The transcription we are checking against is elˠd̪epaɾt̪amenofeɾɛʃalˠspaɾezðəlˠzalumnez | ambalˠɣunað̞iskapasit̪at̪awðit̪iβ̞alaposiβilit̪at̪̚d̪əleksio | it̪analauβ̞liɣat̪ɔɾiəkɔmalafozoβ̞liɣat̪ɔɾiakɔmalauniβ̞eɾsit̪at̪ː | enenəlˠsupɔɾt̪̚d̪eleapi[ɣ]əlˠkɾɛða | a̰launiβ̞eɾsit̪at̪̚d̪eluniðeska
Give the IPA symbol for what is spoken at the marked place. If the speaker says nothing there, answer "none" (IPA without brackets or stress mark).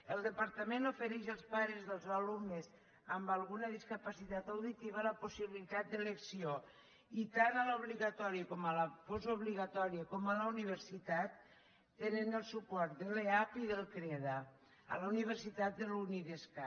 ð